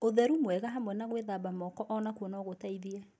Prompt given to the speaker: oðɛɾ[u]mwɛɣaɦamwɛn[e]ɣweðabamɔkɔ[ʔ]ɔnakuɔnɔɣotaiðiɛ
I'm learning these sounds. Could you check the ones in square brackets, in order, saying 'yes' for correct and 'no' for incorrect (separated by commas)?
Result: yes, no, yes